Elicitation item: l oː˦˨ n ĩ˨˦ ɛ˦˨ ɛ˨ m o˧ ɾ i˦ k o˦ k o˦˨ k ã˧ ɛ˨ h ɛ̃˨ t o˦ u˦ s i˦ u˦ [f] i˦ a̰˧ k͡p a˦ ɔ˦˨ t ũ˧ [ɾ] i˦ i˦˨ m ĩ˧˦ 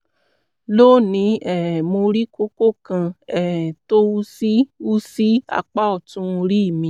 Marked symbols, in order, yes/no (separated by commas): no, yes